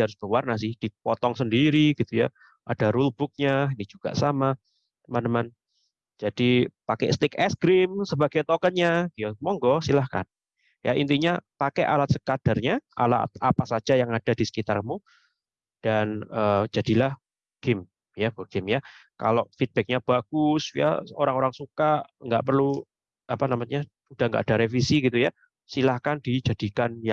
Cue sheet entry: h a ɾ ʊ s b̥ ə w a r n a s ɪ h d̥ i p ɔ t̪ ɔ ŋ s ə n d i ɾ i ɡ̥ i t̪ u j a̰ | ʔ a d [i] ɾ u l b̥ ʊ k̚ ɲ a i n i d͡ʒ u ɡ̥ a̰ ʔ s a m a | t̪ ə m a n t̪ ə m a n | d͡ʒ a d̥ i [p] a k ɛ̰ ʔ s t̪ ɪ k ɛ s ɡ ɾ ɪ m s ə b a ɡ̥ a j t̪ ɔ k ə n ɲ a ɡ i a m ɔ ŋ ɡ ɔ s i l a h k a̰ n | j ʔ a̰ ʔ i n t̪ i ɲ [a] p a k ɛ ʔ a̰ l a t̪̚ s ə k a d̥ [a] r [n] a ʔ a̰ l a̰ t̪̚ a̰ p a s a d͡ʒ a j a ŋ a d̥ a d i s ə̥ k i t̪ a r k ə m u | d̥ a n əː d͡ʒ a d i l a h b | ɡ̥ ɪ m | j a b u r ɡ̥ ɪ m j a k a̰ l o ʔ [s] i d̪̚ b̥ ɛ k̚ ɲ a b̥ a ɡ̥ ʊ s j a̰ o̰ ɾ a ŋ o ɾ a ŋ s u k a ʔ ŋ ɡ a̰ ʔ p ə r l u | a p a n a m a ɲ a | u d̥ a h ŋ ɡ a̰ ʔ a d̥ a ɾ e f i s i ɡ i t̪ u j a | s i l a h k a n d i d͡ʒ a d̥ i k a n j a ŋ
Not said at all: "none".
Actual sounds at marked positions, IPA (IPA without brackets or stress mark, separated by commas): a, p, a, a, ɲ, f